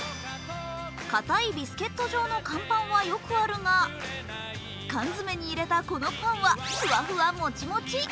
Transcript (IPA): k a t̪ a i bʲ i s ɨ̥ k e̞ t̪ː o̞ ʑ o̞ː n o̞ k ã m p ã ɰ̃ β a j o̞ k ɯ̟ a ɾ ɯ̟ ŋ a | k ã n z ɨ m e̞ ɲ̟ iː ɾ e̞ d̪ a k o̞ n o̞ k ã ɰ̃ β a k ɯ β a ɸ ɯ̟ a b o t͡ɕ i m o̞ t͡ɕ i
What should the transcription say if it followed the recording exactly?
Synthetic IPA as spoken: k a t̪ a i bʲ i s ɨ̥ k e̞ t̪ː o̞ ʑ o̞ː n o̞ k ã m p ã ɰ̃ β a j o̞ k ɯ̟ a ɾ ɯ̟ ŋ a | k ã n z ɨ m e̞ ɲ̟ iː ɾ e̞ t̪ a k o̞ n o̞ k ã ɰ̃ β a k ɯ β a ɸ ɯ̟ a m o t͡ɕ i m o̞ t͡ɕ i